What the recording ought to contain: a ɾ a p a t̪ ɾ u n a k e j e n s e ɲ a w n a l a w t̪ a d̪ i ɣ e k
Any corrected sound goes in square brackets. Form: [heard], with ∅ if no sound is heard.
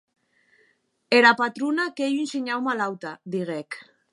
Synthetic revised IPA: [e] ɾ a p a t̪ ɾ u n a k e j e n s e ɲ a w [m] a l a w t̪ a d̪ i ɣ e k